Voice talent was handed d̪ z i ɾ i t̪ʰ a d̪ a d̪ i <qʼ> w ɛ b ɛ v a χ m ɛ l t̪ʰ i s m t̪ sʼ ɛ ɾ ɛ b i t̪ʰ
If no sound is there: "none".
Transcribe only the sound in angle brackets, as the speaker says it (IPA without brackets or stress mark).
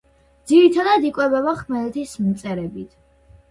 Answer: kʼ